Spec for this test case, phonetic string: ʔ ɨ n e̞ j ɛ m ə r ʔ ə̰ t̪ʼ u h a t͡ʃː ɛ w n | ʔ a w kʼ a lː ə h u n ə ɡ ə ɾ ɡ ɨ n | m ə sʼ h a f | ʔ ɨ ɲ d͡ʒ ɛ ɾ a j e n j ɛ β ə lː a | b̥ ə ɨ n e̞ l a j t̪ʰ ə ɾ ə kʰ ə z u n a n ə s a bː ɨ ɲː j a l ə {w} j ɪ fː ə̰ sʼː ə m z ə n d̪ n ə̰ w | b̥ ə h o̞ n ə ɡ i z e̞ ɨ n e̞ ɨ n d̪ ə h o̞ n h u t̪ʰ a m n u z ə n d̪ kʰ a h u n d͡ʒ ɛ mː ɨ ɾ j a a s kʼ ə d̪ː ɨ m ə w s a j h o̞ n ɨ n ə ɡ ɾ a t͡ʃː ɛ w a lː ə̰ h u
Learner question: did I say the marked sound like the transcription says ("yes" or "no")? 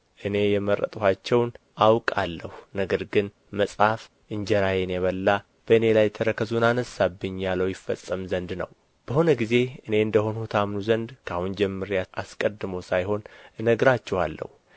yes